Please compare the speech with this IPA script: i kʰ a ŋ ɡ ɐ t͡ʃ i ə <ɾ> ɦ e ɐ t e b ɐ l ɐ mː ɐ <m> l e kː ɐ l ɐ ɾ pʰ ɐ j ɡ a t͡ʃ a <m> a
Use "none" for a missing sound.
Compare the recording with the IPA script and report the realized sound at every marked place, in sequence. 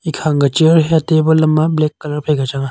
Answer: ɾ, b, ŋ

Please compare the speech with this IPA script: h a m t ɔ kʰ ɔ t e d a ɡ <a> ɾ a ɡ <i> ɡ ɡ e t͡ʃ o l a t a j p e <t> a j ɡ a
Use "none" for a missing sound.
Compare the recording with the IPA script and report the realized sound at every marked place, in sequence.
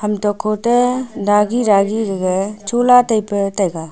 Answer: i, i, t

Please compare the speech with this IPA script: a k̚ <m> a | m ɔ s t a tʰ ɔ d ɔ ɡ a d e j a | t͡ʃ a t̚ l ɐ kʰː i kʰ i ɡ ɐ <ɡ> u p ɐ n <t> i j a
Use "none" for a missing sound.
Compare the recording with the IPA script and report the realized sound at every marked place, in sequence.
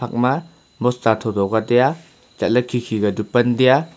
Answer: m, d, d

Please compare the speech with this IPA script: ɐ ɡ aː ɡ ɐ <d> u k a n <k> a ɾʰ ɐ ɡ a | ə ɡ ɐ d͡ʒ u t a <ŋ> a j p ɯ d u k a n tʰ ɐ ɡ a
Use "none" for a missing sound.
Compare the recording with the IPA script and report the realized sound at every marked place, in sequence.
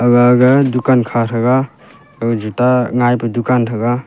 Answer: d, kʰ, ŋ

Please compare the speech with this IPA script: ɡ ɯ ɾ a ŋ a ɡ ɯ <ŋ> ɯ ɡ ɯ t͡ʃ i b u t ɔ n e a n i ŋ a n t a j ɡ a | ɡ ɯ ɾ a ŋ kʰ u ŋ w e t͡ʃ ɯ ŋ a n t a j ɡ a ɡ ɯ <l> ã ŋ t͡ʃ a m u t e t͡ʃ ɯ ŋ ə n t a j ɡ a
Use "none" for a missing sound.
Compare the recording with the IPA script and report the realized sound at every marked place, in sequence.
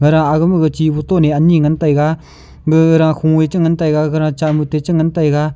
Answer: m, ɾ

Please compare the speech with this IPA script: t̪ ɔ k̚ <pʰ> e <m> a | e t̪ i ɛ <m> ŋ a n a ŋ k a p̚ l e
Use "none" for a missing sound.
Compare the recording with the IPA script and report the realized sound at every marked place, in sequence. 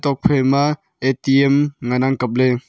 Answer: pʰ, m, m

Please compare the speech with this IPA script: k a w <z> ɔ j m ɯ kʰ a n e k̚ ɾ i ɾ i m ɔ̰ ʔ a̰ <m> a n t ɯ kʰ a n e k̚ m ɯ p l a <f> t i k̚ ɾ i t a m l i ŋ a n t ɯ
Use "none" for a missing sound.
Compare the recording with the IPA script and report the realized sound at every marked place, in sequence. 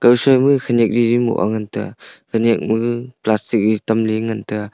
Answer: s, ŋ, s

